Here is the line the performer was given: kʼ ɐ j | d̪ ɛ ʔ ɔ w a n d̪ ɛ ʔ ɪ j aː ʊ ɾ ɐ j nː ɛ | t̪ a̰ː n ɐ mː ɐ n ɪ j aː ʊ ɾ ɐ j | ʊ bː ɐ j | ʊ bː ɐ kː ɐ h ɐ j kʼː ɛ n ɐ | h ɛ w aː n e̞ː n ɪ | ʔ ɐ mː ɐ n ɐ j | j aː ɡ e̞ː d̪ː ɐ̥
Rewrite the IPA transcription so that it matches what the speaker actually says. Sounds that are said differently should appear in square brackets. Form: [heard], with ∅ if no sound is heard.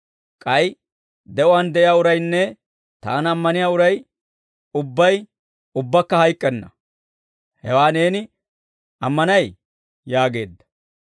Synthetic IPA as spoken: kʼ ɐ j | d̪ ɛ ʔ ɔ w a n d̪ ɛ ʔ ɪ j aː ʊ ɾ ɐ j nː ɛ | t̪ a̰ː n ɐ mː ɐ n ɪ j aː ʊ ɾ ɐ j | ʊ bː ɐ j | ʊ bː ɐ kː ɐ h ɐ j kʼː ɛ [nː] ɐ | h ɛ w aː n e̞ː n ɪ | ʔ ɐ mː ɐ n ɐ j | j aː ɡ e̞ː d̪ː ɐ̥